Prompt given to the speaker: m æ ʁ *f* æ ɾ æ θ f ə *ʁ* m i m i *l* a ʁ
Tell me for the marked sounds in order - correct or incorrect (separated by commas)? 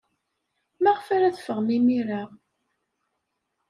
correct, correct, incorrect